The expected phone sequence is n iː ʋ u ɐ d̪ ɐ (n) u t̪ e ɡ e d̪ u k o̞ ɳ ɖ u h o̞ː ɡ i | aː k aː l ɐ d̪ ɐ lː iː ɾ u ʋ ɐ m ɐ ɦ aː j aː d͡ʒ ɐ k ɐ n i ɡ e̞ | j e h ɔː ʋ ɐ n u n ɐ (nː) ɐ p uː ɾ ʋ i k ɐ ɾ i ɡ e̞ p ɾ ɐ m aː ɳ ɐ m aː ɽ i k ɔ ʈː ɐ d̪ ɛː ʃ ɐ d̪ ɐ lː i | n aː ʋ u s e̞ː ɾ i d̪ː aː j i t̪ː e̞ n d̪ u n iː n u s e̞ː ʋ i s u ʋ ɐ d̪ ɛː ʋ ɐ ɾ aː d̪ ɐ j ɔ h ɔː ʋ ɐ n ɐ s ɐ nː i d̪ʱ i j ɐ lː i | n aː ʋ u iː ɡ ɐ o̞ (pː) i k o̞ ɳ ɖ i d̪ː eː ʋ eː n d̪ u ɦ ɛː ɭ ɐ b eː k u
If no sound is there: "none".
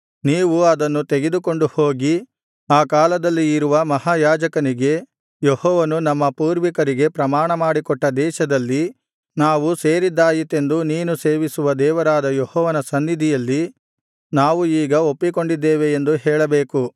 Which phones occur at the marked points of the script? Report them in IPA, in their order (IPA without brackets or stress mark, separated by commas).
nː, mː, pː